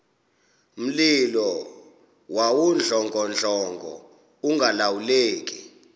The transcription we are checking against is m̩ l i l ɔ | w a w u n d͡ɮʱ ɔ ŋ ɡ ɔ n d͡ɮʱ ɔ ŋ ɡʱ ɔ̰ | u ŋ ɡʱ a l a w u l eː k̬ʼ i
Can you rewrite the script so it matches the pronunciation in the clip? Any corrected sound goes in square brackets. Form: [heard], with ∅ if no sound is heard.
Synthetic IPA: m̩ l i l ɔ | w a w u n d͡ɮʱ ɔ ŋ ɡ ɔ n d͡ɮʱ ɔ ŋ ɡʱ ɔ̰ | u ŋ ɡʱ a l a w u l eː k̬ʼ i